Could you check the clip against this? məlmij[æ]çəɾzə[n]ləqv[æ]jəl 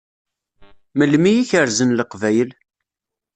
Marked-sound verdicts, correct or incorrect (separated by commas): incorrect, correct, correct